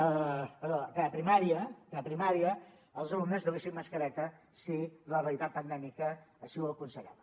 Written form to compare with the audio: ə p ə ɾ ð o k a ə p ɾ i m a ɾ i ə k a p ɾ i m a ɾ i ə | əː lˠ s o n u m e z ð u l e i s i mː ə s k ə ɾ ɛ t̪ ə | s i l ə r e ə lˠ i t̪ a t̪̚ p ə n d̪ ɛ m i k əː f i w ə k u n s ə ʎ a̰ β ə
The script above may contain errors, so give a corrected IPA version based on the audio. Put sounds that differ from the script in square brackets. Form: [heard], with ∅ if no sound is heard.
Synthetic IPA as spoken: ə p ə ɾ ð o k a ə p ɾ i m a ɾ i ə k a p ɾ i m a ɾ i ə | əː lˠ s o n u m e z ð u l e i s i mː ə s k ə ɾ ɛ t̪ ə | s i l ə r e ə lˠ i t̪ a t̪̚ p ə n d̪ ɛ m i k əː [ʃ] i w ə k u n s ə ʎ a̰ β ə